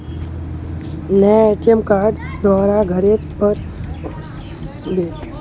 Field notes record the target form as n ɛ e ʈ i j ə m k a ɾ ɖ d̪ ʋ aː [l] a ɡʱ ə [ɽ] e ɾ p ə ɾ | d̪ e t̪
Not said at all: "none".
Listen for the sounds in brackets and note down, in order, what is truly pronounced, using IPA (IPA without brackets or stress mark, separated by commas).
ɾ, ɾ